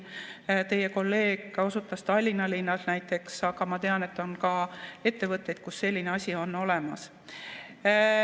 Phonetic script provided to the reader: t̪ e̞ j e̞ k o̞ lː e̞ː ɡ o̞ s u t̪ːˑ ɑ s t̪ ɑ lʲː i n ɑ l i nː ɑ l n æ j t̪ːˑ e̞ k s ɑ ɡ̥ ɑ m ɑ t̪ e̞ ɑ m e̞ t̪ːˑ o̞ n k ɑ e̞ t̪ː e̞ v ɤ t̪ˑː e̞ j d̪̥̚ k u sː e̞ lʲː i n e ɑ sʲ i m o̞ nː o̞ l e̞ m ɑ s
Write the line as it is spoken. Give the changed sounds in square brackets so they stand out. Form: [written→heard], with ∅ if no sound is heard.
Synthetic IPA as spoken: t̪ e̞ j e̞ k o̞ lː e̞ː ɡ o̞ s u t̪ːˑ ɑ s t̪ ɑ lʲː i n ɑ l i nː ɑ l n æ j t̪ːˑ e̞ k s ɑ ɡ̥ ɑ m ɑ t̪ e̞ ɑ [m→n] e̞ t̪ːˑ o̞ n k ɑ e̞ t̪ː e̞ v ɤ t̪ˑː e̞ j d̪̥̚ k u sː e̞ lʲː i n e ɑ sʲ i [m→∅] o̞ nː o̞ l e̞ m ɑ s